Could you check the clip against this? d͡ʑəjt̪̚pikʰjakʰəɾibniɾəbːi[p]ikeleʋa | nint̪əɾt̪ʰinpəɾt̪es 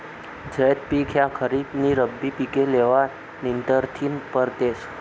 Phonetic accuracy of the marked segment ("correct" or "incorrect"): correct